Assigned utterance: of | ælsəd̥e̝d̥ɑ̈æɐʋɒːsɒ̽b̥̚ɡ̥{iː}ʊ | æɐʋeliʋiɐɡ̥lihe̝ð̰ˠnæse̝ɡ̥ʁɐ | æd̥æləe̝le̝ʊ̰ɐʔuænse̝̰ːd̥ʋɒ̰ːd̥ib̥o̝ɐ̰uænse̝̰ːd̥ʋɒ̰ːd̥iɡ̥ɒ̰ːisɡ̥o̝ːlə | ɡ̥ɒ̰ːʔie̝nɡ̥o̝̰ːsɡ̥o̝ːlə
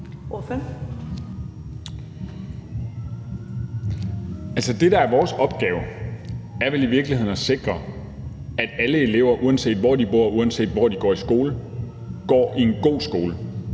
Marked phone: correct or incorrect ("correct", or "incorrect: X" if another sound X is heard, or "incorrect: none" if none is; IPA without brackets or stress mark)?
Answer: incorrect: ɛː